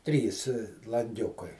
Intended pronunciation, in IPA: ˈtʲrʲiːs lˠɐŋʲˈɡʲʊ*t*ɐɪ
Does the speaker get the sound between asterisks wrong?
yes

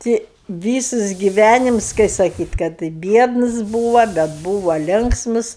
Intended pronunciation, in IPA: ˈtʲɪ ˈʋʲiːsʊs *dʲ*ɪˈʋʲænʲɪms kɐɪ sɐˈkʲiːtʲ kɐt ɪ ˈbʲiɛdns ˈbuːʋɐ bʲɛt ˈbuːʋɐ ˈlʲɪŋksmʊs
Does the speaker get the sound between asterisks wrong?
yes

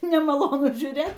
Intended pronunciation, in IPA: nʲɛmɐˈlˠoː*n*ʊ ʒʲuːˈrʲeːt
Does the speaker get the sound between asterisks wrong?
no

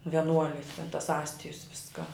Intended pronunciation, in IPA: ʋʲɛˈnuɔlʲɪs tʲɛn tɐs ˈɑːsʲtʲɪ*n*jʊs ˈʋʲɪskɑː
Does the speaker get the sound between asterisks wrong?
yes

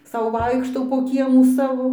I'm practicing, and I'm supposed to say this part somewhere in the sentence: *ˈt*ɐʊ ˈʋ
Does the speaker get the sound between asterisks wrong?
yes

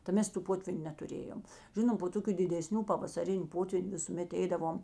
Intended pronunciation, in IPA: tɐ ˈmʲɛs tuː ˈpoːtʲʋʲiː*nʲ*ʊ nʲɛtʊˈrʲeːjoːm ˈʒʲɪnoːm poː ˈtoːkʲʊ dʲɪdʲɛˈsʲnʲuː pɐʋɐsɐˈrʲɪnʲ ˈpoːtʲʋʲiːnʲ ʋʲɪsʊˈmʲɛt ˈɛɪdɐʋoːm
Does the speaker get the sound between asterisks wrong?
no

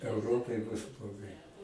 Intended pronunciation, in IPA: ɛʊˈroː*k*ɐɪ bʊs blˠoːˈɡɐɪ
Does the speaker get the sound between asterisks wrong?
yes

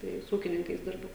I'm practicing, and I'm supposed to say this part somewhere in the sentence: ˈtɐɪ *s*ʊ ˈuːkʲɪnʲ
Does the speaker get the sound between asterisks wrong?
no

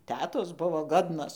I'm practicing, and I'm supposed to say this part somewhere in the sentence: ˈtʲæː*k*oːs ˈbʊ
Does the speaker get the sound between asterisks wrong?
yes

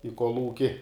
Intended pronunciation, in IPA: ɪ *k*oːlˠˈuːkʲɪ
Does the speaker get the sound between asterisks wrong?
no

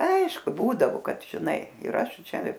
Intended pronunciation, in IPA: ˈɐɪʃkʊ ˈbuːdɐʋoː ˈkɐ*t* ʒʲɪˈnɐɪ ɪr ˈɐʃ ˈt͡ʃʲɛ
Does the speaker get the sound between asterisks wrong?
no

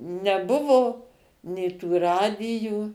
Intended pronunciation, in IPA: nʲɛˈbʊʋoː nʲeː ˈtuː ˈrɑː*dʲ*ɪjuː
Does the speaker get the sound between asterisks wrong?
no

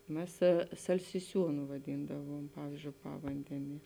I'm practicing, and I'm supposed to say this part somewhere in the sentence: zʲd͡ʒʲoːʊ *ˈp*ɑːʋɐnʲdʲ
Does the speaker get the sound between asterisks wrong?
no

